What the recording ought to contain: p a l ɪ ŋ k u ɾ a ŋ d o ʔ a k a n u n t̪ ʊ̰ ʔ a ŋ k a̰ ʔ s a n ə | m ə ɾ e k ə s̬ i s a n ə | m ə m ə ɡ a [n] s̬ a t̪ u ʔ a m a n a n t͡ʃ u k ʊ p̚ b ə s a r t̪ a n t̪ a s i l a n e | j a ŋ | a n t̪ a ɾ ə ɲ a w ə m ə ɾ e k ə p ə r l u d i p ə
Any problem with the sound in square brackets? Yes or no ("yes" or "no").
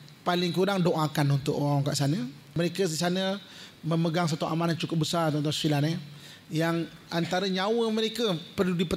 yes